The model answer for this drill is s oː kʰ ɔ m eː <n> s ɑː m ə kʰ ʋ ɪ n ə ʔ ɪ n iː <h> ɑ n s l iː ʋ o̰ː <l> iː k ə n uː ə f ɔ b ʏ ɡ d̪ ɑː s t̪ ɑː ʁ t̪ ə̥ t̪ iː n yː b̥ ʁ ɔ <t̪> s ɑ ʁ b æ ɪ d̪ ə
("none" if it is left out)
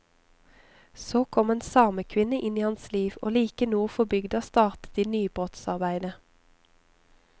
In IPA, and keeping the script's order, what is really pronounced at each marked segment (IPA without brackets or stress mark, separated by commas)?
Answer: n, h, l, t̪